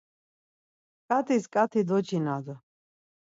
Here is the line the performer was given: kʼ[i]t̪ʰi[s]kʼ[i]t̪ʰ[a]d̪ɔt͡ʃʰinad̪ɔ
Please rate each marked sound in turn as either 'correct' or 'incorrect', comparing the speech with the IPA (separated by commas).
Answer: incorrect, correct, incorrect, incorrect